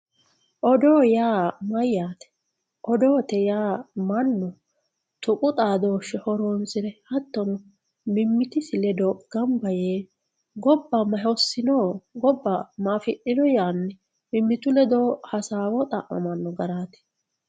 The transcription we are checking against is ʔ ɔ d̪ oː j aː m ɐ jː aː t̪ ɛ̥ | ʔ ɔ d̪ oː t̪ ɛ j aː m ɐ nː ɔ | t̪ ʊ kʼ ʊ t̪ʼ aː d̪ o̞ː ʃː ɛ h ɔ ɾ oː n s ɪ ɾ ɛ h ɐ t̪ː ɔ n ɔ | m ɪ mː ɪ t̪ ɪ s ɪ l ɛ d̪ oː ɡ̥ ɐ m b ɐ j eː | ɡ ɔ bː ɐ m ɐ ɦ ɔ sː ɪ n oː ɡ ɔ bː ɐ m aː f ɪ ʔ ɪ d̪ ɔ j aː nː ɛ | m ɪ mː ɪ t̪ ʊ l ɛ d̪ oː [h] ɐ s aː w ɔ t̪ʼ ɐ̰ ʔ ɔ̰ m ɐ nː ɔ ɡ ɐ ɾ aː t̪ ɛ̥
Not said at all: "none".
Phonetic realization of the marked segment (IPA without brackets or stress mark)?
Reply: h